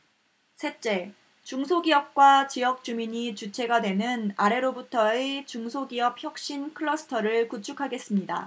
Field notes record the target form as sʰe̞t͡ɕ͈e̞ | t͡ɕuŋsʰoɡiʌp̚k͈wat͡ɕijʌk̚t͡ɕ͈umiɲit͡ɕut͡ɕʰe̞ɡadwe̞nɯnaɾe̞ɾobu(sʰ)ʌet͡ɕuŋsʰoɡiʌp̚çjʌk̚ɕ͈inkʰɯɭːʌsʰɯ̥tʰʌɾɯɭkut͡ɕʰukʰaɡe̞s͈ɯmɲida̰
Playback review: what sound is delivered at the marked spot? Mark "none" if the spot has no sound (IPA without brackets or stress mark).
tʰ